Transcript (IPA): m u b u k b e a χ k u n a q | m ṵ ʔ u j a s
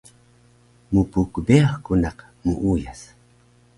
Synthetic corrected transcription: m u p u k b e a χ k u n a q | m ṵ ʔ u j a s